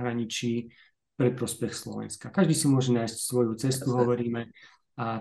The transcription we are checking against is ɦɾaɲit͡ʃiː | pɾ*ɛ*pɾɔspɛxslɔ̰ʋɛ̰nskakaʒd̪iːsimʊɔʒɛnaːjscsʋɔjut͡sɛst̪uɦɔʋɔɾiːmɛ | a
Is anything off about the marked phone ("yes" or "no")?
no